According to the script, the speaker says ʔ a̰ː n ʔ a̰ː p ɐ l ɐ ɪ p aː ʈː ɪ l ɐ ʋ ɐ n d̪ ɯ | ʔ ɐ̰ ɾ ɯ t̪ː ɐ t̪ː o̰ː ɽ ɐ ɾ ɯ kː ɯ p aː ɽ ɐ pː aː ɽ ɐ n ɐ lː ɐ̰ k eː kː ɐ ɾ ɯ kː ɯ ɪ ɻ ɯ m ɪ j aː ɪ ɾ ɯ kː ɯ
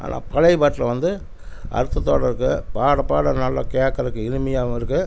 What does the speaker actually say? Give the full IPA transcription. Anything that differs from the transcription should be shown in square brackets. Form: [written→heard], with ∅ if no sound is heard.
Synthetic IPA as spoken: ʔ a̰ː n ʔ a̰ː p ɐ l ɐ ɪ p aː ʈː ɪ l ɐ ʋ ɐ n d̪ ɯ | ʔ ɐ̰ ɾ ɯ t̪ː ɐ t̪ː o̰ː ɽ ɐ ɾ ɯ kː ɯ p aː ɽ ɐ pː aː ɽ ɐ n ɐ lː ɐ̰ k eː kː ɐ ɾ ɯ kː ɯ ɪ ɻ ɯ m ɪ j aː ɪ ɾ ɯ kː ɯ